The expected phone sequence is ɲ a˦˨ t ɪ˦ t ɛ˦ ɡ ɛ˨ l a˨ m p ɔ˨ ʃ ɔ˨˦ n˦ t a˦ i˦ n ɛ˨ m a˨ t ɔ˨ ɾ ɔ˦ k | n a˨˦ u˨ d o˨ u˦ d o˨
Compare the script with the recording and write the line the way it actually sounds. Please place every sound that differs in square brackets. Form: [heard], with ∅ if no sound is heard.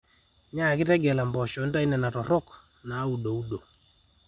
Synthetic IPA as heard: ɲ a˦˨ [k] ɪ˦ t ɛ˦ ɡ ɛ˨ l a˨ m [b] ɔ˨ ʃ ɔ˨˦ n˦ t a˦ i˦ n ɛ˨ [n] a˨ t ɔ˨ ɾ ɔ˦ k | n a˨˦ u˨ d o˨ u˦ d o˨

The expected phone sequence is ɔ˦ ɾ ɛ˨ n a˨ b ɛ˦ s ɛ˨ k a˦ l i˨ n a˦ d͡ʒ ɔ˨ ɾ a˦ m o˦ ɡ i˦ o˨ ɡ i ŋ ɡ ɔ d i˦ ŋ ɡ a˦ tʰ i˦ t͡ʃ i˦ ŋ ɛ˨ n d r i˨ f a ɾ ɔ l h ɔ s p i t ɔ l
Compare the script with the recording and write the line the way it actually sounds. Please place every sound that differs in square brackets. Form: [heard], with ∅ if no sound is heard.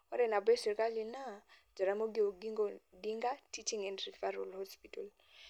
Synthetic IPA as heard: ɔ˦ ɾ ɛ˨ n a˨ b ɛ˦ s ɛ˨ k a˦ l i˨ n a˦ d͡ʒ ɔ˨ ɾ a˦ m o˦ ɡ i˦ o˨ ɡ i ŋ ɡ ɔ d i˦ ŋ ɡ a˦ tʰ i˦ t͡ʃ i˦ ŋ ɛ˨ n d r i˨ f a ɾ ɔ l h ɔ s p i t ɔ l

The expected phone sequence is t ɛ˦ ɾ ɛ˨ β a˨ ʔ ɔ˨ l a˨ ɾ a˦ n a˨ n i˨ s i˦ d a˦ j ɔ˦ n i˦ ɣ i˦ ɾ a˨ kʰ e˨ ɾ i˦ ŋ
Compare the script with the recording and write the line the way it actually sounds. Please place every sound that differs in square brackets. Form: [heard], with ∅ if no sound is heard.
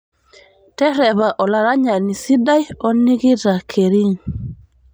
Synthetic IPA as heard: t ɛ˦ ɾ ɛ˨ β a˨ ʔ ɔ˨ l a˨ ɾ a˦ [ɲ] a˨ n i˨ s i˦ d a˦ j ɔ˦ n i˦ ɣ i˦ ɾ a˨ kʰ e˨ ɾ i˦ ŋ

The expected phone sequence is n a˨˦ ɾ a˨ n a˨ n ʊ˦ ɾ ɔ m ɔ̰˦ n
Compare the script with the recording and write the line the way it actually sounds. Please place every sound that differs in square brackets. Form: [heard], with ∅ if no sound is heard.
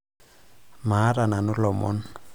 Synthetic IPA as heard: [m] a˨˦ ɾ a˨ n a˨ n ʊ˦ [l] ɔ m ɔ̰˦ n

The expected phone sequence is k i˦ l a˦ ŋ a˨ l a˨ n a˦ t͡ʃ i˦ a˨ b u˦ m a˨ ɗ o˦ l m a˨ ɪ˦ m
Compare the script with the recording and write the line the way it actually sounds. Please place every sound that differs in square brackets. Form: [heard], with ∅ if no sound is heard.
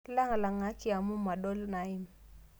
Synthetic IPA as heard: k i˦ l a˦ ŋ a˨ l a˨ [ŋ] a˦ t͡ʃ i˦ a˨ [m] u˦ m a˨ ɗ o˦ l [n] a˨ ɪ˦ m

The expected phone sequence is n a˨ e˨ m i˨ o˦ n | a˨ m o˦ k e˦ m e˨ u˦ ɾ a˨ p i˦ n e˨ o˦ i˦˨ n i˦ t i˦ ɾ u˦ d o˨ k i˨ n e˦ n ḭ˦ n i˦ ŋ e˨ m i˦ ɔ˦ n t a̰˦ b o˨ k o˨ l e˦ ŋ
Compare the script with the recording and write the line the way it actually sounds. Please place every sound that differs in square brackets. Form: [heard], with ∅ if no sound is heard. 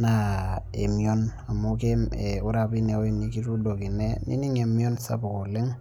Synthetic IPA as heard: n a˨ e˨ m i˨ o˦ n | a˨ m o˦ k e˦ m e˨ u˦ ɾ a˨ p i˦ n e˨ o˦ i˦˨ n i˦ [k] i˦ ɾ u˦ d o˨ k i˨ n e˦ n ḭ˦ n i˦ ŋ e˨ m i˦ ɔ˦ n [s] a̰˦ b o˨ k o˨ l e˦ ŋ

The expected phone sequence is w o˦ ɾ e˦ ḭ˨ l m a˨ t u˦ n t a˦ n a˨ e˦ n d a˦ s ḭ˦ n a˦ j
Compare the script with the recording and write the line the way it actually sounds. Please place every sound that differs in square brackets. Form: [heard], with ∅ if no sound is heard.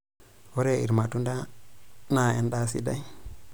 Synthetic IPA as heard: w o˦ ɾ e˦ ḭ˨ [ɾ] m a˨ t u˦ n [d] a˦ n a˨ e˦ n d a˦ s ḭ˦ [d] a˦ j

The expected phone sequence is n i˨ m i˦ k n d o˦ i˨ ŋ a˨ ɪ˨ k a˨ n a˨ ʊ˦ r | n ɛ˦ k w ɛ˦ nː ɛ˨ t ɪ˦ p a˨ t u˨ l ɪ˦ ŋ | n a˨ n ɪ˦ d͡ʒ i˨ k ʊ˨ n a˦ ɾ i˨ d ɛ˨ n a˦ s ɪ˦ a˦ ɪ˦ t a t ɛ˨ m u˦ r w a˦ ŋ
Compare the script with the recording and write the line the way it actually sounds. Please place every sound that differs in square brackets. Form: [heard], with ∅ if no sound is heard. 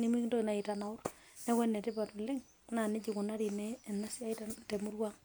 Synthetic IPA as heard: n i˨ m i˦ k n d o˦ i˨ [n] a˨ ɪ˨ [t] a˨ n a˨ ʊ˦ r | n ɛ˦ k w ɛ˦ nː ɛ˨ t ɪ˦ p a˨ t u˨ l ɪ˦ ŋ | n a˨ n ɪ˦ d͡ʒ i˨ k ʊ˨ n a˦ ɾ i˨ [n] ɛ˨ n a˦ s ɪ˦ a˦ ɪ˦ t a t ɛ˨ m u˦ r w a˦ ŋ

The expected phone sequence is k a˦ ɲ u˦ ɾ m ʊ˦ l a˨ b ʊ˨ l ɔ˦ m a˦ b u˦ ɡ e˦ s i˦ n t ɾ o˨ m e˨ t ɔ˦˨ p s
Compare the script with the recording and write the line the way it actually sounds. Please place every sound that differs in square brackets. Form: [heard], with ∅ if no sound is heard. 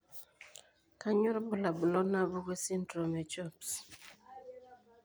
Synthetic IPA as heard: k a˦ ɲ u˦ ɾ [b] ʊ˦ l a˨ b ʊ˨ l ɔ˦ [n] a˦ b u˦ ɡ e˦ s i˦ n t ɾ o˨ m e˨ [t͡ʃ] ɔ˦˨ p s

